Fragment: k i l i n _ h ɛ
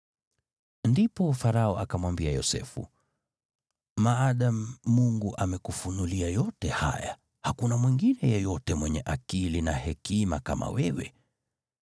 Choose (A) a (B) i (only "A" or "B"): A